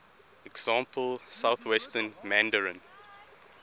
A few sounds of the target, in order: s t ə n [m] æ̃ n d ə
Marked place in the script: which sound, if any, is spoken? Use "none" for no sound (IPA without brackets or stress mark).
m